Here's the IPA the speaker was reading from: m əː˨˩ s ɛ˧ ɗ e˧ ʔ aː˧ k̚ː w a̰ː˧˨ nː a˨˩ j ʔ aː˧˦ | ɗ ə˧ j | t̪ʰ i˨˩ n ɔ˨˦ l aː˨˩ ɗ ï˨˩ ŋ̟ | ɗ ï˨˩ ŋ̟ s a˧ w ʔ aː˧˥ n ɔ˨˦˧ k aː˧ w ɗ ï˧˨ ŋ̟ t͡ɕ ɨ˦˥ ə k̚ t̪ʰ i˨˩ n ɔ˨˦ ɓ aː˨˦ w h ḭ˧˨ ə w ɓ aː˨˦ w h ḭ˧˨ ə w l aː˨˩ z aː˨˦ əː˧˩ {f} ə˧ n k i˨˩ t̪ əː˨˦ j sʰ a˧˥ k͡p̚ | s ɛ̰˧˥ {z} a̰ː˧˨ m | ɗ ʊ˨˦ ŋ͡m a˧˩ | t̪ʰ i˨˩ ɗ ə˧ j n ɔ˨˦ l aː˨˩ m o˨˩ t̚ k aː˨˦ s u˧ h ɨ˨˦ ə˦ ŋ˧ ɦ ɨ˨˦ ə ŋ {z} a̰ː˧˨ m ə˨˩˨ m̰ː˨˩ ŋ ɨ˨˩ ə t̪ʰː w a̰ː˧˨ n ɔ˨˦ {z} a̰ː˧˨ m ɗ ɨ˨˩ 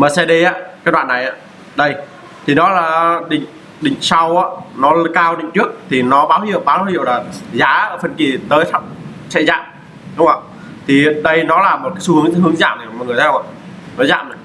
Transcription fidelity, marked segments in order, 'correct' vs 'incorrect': correct, correct, correct, correct

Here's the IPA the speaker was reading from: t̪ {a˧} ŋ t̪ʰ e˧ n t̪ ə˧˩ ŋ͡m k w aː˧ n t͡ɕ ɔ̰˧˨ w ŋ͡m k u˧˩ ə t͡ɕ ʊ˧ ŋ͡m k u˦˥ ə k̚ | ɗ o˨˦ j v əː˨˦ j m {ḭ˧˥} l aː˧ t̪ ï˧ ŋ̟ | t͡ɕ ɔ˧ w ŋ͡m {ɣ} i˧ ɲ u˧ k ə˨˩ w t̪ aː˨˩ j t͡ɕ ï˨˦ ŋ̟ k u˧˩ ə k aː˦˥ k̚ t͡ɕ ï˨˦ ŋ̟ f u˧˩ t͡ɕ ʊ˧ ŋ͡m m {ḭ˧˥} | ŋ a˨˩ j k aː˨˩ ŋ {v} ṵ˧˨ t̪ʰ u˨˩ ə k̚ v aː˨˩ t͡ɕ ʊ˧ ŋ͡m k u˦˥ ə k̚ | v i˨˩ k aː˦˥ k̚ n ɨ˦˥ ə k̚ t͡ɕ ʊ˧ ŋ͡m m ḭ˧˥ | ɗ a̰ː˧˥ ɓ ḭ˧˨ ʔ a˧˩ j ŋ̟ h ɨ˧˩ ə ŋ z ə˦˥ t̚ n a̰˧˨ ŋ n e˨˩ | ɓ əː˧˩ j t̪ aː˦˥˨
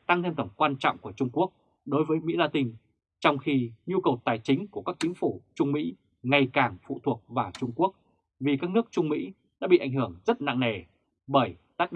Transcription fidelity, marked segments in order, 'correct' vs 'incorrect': correct, correct, incorrect: x, correct, incorrect: f

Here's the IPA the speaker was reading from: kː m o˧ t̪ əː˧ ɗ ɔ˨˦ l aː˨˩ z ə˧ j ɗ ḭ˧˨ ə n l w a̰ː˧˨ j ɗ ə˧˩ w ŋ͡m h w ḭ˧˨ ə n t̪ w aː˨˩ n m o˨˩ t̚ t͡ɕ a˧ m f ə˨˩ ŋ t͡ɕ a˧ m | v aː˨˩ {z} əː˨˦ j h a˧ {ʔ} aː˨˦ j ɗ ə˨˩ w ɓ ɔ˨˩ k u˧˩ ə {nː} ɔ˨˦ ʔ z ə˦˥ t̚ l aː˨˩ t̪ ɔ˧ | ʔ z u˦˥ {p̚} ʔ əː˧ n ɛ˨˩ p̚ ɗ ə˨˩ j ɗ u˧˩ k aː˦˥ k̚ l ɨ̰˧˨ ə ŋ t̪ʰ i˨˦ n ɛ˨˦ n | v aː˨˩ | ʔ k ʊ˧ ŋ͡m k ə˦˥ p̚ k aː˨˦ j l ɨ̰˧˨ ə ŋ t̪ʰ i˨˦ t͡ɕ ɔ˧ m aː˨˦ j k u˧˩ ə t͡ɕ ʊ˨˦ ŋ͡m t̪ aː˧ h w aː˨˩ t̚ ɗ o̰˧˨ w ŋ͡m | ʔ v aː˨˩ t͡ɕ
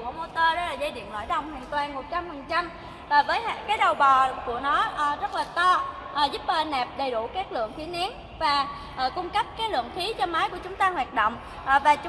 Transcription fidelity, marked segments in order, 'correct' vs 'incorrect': incorrect: v, incorrect: k, incorrect: n, correct

